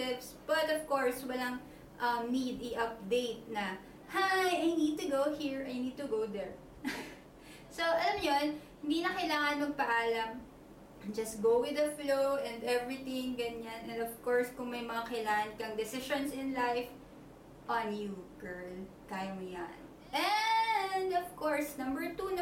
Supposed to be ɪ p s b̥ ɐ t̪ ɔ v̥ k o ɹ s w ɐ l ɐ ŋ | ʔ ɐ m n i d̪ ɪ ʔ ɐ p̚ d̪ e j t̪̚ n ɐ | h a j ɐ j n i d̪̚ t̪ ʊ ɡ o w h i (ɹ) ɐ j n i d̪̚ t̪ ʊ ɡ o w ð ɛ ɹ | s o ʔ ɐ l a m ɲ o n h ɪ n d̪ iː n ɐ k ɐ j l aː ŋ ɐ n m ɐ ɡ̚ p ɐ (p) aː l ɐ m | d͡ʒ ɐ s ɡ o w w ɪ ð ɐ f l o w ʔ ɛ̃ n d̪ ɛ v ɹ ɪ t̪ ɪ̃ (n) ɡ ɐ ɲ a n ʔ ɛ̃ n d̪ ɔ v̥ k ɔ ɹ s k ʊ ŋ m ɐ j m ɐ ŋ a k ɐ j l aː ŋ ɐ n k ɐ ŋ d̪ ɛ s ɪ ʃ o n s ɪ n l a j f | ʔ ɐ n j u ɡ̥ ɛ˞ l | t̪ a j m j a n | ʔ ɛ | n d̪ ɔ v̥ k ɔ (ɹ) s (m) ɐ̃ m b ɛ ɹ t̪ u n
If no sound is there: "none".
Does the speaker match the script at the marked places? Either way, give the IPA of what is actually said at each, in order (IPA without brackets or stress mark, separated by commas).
ɹ, ʔ, ŋ, ɹ, n